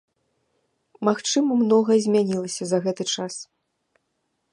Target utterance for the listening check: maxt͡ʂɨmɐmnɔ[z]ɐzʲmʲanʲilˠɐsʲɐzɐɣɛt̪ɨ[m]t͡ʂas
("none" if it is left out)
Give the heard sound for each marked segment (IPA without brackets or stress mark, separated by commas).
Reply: ɣ, none